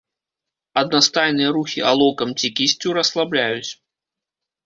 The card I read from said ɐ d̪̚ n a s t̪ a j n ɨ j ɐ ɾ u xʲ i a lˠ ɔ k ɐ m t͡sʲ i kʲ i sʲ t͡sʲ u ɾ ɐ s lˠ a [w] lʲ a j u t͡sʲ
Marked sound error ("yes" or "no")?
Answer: yes